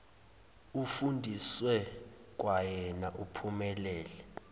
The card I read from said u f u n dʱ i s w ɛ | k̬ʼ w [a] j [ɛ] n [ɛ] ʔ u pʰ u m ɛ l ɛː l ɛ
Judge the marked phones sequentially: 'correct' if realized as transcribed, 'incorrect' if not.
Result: correct, correct, incorrect: a

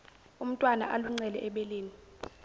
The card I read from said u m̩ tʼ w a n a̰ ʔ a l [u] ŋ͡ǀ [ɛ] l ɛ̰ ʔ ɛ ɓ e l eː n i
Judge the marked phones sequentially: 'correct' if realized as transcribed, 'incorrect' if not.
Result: correct, correct

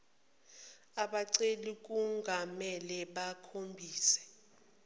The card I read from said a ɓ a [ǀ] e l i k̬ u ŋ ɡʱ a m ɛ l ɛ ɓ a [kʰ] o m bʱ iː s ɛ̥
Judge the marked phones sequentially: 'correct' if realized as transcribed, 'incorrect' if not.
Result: correct, correct

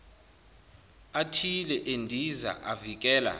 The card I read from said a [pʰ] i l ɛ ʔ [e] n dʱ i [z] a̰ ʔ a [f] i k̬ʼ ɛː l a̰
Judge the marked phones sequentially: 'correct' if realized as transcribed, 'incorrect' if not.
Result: incorrect: tʰ, correct, correct, incorrect: v

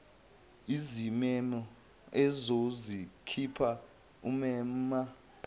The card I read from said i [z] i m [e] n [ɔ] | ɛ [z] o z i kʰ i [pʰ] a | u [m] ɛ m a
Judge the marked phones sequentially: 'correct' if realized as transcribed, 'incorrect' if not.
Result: correct, incorrect: ɛ, correct, correct, correct, correct

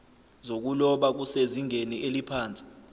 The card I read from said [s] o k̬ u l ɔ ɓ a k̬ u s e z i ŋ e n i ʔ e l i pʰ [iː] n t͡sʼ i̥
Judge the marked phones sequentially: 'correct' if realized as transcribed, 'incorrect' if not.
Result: incorrect: z, incorrect: aː

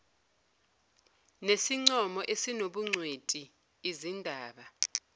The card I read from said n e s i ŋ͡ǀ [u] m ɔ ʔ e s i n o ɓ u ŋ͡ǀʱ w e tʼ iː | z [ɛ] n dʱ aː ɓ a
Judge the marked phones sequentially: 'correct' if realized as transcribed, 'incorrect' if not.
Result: incorrect: ɔ, incorrect: i

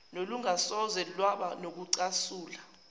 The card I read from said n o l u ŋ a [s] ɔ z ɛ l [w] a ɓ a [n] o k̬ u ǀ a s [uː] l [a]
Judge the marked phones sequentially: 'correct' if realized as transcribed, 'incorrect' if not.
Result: correct, correct, correct, correct, correct

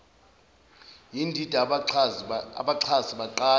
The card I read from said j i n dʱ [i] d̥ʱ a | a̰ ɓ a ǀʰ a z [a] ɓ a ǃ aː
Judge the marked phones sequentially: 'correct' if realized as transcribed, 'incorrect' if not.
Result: correct, incorrect: i

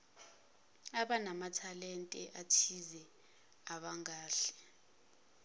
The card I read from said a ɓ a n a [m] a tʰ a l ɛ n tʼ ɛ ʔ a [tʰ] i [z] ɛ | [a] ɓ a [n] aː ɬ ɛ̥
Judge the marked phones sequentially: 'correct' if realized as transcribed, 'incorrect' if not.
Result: correct, correct, correct, correct, incorrect: ŋ

